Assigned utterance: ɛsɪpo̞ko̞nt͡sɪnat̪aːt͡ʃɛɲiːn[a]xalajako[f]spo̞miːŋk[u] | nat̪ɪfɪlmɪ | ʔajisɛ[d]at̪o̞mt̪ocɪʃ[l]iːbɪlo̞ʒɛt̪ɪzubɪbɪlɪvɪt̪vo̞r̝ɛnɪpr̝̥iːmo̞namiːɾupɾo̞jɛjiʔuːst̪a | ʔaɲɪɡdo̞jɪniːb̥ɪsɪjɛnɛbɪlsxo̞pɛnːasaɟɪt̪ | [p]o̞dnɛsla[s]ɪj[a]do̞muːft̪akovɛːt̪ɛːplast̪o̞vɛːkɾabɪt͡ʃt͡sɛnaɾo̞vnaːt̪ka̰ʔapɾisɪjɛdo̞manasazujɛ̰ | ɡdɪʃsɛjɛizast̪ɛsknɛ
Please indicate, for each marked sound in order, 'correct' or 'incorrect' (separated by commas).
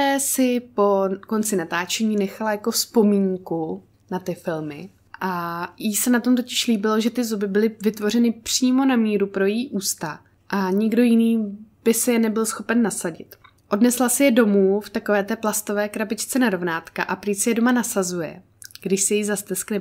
incorrect, correct, correct, incorrect, correct, incorrect, correct, incorrect